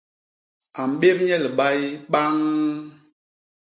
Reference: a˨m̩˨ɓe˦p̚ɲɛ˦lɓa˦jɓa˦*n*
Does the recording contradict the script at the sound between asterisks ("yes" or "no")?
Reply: yes